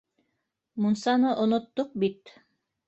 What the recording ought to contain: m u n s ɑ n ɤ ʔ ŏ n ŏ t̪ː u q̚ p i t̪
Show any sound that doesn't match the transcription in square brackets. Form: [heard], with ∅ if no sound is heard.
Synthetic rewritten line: m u n s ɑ n ɤ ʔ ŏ n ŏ t̪ː [o] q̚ [b] i t̪